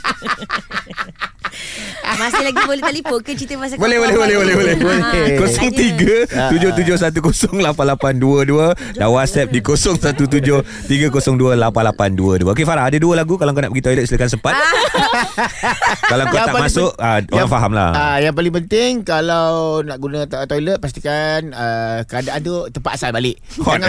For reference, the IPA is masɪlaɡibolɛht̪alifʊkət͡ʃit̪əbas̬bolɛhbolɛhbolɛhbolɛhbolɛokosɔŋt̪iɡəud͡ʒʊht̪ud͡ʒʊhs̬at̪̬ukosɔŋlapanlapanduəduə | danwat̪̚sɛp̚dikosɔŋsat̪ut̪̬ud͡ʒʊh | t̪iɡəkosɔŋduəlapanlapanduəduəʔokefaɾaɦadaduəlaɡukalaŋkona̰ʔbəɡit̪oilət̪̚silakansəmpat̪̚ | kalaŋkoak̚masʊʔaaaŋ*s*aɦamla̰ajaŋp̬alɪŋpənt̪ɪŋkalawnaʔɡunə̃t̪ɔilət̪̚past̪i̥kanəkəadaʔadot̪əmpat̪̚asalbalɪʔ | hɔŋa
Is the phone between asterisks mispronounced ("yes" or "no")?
yes